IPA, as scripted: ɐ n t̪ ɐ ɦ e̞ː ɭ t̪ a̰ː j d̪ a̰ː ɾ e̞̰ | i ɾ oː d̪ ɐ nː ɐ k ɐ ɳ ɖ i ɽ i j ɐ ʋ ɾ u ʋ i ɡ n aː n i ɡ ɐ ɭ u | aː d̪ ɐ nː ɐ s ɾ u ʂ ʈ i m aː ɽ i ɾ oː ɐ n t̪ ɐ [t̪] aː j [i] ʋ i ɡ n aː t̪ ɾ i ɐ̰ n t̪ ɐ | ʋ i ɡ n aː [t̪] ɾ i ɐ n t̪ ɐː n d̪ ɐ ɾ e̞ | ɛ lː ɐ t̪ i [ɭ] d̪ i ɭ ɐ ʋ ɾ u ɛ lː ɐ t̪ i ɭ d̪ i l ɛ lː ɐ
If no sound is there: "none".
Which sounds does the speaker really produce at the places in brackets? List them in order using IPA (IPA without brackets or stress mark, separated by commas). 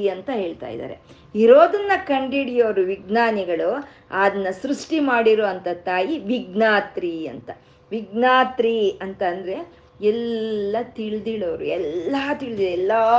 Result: t̪, i, t̪, ɭ